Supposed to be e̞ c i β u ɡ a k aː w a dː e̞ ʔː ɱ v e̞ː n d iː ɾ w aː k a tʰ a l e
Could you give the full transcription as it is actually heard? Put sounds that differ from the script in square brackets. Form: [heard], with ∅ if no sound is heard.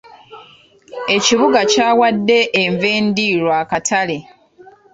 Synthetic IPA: e̞ c i β u ɡ a [c] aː w a dː e̞ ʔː ɱ v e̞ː n d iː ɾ w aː k a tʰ a l e